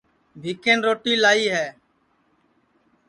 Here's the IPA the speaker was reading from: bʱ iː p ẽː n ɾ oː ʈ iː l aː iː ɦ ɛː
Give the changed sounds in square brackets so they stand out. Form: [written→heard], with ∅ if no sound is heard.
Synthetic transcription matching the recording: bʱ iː [p→k] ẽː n ɾ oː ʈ iː l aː iː ɦ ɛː

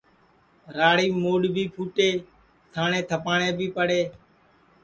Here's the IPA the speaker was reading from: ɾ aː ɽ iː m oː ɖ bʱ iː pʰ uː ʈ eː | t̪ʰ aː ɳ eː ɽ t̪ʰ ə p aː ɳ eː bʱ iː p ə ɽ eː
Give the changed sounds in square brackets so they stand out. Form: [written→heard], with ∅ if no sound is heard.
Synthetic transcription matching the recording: ɾ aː ɽ iː m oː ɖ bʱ iː pʰ uː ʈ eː | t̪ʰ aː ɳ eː [ɽ→∅] t̪ʰ ə p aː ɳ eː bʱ iː p ə ɽ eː

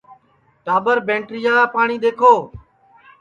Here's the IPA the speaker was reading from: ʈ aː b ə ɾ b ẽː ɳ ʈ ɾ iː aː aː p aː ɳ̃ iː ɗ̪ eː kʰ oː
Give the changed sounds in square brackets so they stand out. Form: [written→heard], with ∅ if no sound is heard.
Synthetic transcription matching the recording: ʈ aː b ə ɾ b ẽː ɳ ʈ ɾ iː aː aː p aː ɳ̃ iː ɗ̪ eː kʰ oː

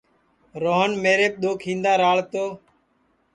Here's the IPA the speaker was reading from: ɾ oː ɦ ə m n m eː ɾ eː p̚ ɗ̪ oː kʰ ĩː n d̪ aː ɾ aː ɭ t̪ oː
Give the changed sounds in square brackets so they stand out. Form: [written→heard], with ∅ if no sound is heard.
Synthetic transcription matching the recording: ɾ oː ɦ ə [m→∅] n m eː ɾ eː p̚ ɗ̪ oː kʰ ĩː n d̪ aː ɾ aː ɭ t̪ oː

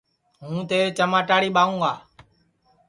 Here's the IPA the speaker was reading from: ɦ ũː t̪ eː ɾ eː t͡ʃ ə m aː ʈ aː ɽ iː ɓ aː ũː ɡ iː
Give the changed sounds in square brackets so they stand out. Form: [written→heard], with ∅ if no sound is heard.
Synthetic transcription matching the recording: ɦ ũː t̪ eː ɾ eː t͡ʃ ə m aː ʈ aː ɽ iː ɓ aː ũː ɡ [iː→aː]

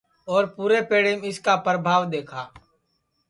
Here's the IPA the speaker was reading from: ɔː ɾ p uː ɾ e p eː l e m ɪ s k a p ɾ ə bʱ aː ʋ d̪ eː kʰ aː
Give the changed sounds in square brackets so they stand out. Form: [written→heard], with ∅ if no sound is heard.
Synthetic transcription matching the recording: ɔː ɾ p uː ɾ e p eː [l→ɽ] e m ɪ s k a p ɾ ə bʱ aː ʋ d̪ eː kʰ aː

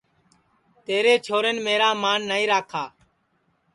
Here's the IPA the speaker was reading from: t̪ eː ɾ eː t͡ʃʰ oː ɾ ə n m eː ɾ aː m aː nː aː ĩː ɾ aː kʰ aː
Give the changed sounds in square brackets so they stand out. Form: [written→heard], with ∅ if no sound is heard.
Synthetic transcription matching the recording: t̪ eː ɾ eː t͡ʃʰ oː ɾ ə n m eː ɾ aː m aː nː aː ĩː ɾ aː kʰ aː

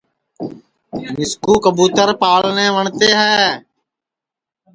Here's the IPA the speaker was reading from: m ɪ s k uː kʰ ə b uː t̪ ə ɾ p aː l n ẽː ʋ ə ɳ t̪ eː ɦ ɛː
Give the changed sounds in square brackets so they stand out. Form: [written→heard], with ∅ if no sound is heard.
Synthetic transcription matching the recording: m ɪ s k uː [kʰ→k] ə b uː t̪ ə ɾ p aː l n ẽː ʋ ə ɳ t̪ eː ɦ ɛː

